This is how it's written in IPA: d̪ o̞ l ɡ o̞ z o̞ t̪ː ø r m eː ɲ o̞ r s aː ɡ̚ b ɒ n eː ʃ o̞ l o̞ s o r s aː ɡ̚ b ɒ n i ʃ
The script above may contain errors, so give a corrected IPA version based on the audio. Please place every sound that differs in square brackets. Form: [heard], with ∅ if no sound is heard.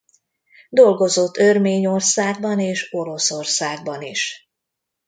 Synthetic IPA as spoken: d̪ o̞ l ɡ o̞ z o̞ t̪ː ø r m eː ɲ o̞ r s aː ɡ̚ b ɒ n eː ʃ o̞ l o̞ s o r s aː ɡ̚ b ɒ n i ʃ